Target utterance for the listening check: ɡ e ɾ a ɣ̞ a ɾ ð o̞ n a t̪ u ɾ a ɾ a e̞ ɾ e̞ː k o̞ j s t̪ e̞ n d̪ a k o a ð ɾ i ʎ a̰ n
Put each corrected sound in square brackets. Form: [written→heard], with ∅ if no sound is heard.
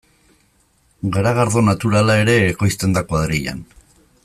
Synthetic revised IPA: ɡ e ɾ a ɣ̞ a ɾ ð o̞ n a t̪ u ɾ a [ɾ→l] a e̞ ɾ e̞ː k o̞ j s t̪ e̞ n d̪ a k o a ð ɾ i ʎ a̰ n